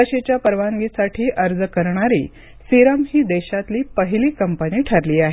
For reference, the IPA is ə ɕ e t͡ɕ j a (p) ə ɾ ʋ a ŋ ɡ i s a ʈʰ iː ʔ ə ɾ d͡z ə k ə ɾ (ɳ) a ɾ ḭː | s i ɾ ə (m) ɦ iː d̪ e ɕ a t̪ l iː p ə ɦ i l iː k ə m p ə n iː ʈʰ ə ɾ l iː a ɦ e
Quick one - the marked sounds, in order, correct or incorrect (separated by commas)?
correct, correct, correct